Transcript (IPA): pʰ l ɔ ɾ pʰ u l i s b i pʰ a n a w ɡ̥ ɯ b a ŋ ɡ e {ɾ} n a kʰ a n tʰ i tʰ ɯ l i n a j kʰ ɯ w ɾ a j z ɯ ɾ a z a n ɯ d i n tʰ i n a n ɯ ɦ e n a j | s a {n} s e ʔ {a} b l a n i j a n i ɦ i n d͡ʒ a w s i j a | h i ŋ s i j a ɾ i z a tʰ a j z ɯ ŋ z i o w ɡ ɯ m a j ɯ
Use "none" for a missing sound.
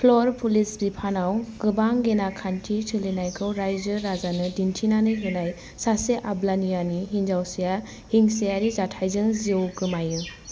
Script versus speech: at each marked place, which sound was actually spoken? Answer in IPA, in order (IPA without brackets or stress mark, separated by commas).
none, none, a